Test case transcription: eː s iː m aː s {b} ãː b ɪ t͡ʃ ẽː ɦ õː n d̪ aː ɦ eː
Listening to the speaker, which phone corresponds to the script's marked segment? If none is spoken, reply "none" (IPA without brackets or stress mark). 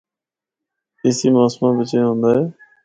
m